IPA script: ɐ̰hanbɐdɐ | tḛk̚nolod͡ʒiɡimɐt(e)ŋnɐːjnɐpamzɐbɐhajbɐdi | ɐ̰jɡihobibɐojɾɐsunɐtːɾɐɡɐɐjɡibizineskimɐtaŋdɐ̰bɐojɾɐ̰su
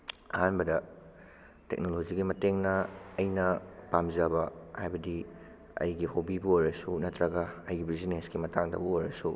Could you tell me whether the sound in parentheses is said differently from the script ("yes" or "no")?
no